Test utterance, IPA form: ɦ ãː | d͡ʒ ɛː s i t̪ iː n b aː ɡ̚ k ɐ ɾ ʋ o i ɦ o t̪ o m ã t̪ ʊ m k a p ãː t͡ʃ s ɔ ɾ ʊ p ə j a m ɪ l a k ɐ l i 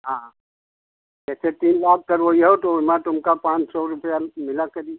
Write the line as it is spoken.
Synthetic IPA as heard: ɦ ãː | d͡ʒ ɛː s e t̪ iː n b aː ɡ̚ k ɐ ɾ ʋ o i ɦ o t̪ o m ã t̪ ʊ m k a p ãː t͡ʃ s ɔ ɾ ʊ p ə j a m ɪ l a k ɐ ɾ i